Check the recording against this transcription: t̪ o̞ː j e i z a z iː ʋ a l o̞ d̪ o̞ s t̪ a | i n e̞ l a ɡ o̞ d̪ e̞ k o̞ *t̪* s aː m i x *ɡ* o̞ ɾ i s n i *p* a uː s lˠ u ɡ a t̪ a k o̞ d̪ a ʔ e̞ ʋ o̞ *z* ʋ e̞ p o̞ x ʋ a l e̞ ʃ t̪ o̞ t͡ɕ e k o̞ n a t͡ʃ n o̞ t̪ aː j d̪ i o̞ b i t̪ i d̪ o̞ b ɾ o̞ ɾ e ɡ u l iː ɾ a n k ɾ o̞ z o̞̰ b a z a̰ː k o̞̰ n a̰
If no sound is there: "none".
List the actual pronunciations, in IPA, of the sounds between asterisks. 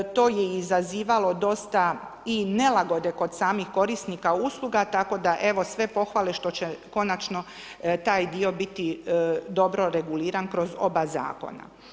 d̪, k, k, s

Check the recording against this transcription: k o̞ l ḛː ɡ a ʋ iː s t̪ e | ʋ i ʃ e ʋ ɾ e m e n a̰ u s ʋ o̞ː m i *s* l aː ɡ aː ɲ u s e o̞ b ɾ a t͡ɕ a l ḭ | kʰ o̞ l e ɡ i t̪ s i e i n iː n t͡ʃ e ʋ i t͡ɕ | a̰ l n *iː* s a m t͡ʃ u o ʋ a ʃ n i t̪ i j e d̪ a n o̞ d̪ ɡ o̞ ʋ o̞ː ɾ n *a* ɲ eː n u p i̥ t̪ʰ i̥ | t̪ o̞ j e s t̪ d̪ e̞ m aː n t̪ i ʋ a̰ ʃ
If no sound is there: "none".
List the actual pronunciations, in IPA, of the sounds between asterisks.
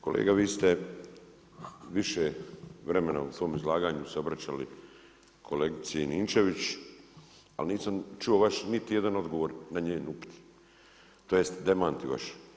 z, iː, a

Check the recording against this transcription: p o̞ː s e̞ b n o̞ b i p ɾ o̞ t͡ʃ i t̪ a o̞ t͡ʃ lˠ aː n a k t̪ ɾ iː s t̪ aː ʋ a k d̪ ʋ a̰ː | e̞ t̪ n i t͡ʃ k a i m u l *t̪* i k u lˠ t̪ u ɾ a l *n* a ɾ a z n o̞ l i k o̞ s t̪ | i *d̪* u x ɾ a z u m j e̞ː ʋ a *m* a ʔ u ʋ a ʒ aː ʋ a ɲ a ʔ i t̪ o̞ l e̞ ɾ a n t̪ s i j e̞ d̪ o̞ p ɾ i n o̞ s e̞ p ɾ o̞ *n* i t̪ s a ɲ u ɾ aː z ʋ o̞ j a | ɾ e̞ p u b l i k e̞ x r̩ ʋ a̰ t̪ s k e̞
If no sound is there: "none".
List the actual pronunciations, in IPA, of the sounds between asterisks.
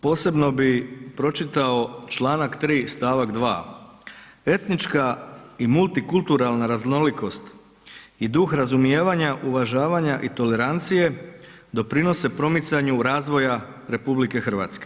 t̪, n, d̪, ɲ, m

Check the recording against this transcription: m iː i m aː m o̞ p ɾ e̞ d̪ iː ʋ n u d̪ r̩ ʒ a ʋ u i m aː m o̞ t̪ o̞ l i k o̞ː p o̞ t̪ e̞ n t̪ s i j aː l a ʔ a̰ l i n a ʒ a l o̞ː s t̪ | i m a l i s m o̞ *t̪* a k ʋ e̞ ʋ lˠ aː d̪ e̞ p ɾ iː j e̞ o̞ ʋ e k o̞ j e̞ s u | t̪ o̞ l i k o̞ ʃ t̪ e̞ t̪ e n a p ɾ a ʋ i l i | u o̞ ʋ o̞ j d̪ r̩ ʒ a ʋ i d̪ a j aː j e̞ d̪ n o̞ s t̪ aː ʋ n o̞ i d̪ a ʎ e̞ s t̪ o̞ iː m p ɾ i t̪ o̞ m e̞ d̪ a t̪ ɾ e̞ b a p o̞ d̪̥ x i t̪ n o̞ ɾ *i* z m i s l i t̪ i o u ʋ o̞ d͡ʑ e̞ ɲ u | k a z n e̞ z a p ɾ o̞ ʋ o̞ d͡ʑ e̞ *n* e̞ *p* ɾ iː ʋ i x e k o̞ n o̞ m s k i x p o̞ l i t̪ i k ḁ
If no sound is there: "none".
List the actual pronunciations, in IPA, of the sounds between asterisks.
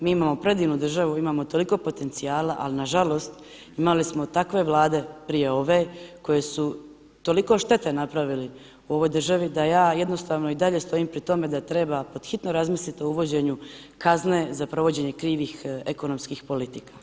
t̪, a, ɲ, k

